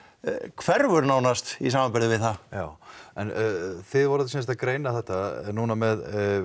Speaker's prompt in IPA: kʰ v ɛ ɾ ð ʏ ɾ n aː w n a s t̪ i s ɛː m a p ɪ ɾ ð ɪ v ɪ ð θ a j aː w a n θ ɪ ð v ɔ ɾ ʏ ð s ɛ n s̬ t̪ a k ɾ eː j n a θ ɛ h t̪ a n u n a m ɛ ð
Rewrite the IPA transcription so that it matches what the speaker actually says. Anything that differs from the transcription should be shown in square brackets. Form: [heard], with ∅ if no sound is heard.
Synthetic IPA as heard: kʰ v ɛ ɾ [v] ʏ ɾ n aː w n a s t̪ i s [aː] m a p ɪ ɾ ð ɪ v ɪ ð θ a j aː w [ɛ] n θ ɪ ð v ɔ ɾ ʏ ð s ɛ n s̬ t̪ a k ɾ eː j n a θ ɛ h t̪ a n u n a m ɛ ð